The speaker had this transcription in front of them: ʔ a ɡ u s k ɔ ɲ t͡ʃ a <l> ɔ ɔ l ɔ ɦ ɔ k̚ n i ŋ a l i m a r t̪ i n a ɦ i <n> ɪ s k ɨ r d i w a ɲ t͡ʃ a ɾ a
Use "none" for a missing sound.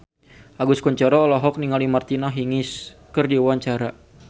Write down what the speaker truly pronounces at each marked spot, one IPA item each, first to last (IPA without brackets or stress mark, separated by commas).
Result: ɾ, ŋ